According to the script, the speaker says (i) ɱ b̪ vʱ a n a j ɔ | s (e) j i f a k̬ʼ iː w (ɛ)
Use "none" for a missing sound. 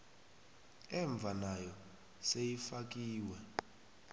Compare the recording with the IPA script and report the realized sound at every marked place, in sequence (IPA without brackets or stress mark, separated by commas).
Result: ɛ, e, ɛ